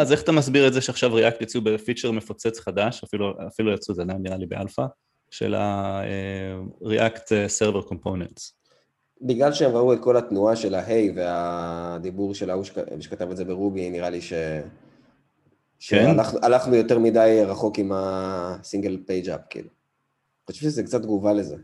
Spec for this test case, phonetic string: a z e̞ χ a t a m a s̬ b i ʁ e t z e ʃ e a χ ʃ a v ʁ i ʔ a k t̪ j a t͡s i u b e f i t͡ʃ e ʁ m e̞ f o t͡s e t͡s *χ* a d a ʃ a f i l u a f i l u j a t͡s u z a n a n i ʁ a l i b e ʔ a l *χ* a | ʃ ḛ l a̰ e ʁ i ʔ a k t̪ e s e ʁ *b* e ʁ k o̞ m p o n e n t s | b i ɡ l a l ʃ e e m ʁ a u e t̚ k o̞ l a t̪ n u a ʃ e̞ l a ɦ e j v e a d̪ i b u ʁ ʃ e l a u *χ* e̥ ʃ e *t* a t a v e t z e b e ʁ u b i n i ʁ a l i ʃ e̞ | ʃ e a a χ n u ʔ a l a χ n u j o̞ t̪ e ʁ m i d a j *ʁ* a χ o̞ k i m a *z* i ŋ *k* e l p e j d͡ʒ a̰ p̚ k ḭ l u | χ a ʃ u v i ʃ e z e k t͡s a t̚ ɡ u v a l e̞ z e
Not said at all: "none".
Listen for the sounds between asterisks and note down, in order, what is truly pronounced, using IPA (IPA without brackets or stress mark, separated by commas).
χ, f, v, ʃ, k, ʁ, s, ɡ